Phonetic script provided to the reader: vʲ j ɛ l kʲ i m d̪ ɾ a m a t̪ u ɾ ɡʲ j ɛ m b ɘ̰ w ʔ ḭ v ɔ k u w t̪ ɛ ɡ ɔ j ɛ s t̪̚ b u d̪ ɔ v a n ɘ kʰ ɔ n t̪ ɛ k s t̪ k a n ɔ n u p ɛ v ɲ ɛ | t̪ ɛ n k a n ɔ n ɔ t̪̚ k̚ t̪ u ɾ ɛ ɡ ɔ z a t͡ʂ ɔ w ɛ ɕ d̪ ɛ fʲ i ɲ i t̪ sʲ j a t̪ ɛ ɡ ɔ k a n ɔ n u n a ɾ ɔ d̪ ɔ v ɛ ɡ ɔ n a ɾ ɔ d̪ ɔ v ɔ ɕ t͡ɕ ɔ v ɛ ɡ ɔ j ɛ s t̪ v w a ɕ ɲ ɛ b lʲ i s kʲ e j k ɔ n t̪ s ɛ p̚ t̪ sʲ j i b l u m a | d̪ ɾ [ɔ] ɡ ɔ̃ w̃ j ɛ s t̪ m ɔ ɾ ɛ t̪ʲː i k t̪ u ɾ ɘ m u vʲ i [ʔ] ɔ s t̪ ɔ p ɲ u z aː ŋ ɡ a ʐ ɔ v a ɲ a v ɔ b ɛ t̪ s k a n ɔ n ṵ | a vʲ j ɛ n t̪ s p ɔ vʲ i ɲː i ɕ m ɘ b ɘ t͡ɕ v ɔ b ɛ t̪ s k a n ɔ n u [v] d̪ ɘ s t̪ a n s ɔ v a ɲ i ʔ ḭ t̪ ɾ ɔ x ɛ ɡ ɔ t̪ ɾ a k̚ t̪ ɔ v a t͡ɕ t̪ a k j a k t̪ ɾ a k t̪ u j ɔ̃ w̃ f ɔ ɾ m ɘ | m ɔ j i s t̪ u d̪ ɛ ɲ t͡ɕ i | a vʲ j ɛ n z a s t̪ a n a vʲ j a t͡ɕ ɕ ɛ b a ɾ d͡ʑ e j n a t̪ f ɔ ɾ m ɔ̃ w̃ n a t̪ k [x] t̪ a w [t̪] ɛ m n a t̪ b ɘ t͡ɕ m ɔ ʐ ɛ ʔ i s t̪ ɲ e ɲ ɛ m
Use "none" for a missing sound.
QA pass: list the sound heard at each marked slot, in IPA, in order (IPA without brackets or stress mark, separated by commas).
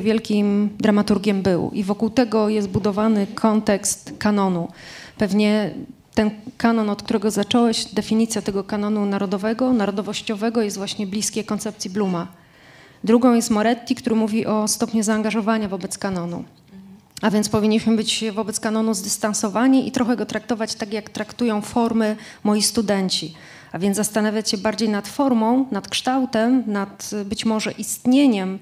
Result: u, ʔ, z, ʂ, t̪